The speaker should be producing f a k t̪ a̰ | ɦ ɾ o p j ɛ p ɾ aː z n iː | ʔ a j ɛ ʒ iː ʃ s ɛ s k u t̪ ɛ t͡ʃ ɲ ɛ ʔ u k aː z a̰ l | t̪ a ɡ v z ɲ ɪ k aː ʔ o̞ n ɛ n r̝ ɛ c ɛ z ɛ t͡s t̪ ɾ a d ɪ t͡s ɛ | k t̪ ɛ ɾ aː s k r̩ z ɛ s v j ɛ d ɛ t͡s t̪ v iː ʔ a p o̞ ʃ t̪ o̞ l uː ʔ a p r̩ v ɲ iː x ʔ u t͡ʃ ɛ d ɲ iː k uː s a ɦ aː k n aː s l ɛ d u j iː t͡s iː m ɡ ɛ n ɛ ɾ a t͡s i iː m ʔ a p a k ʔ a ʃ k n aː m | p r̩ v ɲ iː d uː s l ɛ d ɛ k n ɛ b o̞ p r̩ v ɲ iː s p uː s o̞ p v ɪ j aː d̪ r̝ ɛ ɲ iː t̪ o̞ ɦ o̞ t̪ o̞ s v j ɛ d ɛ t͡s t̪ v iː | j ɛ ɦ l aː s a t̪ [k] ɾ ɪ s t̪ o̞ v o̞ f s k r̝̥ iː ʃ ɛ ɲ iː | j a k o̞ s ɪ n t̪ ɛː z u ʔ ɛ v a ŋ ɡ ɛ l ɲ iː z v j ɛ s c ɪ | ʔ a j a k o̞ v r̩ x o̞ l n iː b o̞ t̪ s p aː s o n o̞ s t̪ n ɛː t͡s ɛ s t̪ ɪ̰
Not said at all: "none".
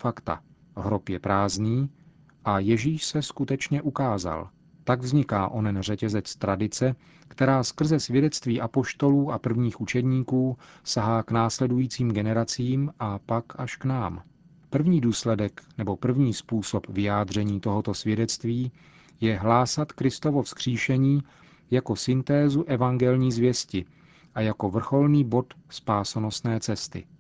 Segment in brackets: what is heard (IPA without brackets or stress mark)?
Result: k